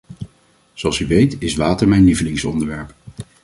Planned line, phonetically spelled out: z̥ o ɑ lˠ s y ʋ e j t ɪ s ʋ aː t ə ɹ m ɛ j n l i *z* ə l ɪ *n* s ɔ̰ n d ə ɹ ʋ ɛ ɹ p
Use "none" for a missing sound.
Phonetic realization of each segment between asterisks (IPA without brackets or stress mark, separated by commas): v, ŋ